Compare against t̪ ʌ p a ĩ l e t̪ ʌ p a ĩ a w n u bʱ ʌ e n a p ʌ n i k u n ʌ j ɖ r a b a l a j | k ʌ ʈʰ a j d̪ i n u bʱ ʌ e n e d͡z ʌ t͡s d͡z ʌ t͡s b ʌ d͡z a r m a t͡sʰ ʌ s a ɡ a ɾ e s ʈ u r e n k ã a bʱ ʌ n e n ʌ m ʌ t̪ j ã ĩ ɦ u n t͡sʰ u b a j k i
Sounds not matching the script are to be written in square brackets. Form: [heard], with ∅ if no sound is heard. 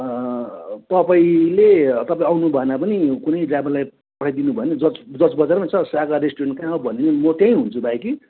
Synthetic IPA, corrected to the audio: t̪ ʌ p a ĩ l e t̪ ʌ p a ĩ a w n u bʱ ʌ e n a p ʌ n i k u n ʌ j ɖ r a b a l a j | [p] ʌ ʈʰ a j d̪ i n u bʱ ʌ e n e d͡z ʌ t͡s d͡z ʌ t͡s b ʌ d͡z a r m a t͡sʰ ʌ s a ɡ a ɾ e s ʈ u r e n k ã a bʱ ʌ n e n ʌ m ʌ t̪ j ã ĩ ɦ u n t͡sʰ u b a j k i